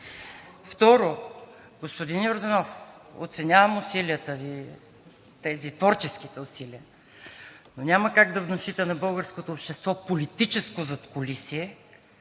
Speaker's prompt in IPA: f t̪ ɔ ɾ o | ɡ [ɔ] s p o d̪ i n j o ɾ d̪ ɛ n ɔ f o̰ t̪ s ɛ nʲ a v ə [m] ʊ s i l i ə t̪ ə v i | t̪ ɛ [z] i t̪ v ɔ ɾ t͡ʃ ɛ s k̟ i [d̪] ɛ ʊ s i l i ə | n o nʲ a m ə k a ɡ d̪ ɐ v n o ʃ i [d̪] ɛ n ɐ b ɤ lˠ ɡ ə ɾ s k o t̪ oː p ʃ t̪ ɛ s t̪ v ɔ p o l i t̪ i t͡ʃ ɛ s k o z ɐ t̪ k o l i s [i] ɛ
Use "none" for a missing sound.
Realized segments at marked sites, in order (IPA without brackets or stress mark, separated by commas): o, m, z, t̪, t̪, i